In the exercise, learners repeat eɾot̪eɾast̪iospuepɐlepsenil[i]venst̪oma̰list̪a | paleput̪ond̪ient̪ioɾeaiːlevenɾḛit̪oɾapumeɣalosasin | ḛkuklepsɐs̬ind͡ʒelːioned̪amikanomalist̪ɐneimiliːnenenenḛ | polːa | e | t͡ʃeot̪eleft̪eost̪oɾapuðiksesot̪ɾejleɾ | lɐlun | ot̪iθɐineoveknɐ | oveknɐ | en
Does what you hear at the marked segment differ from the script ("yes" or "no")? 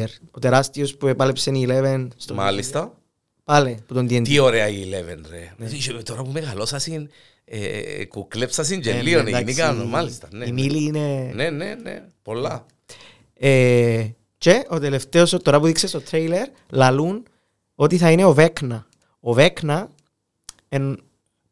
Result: yes